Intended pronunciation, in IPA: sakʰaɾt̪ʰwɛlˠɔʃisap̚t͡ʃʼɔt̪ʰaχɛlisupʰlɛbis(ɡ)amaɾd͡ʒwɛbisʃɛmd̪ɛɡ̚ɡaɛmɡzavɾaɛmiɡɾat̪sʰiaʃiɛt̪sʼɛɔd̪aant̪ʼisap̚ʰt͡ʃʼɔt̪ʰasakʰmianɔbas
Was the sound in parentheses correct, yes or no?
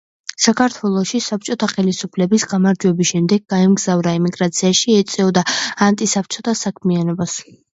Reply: yes